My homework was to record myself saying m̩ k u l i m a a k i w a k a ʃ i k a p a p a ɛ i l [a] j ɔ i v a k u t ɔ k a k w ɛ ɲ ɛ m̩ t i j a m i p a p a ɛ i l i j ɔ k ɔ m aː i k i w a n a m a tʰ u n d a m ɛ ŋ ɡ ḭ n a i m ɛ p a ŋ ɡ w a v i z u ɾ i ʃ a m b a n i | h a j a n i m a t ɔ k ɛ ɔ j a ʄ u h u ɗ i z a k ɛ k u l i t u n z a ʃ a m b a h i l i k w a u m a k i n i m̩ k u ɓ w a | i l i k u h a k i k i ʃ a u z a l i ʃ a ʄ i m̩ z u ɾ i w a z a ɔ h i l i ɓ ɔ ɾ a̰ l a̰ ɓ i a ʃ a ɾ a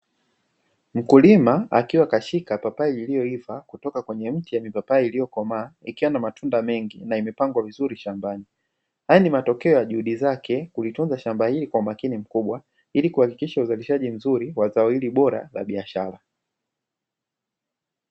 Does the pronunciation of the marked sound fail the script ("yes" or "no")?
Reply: yes